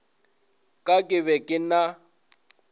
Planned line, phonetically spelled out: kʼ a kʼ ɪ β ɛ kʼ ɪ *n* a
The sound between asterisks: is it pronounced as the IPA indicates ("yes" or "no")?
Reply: yes